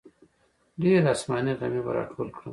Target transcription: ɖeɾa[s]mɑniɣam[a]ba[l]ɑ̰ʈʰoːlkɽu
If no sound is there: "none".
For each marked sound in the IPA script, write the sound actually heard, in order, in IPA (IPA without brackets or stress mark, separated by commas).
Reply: s, i, ɾ